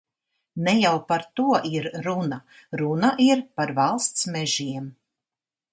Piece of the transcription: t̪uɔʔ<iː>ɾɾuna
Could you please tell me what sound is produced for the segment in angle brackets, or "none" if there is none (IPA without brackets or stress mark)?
i